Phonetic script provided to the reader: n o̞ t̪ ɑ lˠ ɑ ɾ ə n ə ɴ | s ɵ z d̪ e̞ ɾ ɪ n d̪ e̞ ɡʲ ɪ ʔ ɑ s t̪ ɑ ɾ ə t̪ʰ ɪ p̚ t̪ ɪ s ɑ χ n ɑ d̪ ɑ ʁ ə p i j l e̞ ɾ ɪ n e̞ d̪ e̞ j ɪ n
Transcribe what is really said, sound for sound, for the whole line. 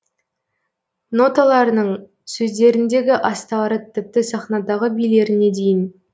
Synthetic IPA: n o̞ t̪ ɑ lˠ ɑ ɾ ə n ə ɴ | s ɵ z d̪ e̞ ɾ ɪ n d̪ e̞ ɡʲ ɪ ʔ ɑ s t̪ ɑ ɾ ə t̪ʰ ɪ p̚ t̪ ɪ s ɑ χ n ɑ d̪ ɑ ʁ ə b i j l e̞ ɾ ɪ n e̞ d̪ e̞ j ɪ n

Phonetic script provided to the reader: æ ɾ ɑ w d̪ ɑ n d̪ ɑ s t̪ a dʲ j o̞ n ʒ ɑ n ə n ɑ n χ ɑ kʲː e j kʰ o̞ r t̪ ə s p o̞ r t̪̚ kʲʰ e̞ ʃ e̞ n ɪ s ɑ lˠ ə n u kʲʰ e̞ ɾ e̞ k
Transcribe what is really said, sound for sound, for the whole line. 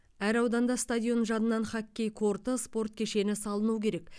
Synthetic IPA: æ ɾ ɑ w d̪ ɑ n d̪ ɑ s t̪ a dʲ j o̞ n ʒ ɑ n ə n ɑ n χ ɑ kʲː e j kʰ o̞ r t̪ ə s p o̞ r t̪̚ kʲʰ e̞ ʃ e̞ n ɪ s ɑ lˠ ə n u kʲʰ e̞ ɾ e̞ k

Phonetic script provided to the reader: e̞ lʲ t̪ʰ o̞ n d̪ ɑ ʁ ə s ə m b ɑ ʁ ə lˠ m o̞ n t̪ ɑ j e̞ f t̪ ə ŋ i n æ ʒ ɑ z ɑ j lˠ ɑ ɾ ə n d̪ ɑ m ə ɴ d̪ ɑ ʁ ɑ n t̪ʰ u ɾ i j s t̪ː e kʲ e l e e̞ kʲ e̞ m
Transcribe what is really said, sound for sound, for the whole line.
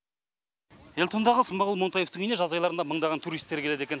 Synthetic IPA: e̞ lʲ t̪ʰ o̞ n d̪ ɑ ʁ ə s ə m b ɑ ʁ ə lˠ m o̞ n t̪ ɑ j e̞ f t̪ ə ŋ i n e ʒ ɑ z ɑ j lˠ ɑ ɾ ə n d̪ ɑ m ə ɴ d̪ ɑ ʁ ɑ n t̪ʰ u ɾ i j s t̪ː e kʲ e l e e̞ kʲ e̞ n

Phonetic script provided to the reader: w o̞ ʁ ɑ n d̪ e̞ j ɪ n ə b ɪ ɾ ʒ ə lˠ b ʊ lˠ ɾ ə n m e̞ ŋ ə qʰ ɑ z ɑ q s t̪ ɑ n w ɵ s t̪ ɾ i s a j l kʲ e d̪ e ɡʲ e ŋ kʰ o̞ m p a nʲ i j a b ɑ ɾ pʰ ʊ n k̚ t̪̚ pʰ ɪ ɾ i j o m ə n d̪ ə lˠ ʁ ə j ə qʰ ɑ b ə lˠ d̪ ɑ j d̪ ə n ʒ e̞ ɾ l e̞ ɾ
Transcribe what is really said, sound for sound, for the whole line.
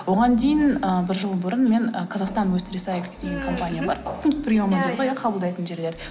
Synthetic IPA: w o̞ ʁ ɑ n d̪ e̞ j ɪ n ə b ɪ ɾ ʒ ə lˠ b ʊ ɾ ə n m e̞ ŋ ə qʰ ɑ z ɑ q s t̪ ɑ n w ɵ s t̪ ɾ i s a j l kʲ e d̪ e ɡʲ e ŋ kʰ o̞ m p a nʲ i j a b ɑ ɾ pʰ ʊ ŋ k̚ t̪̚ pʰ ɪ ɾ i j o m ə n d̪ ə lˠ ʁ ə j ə qʰ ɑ b ə lˠ d̪ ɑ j t̪ ə n ʒ e̞ ɾ l e̞ ɾ

